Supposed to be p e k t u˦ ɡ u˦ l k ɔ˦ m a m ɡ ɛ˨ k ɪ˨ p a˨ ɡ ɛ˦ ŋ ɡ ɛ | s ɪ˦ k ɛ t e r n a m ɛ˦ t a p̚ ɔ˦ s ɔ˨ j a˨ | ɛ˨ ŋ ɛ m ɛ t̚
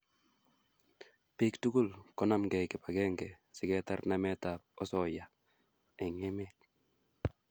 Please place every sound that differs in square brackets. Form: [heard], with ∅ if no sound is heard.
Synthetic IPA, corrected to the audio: p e k t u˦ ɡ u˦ l k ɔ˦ [n] a m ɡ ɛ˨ k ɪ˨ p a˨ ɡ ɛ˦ ŋ ɡ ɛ | s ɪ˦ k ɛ t [a] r n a m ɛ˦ t a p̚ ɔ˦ s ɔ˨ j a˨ | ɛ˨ ŋ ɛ m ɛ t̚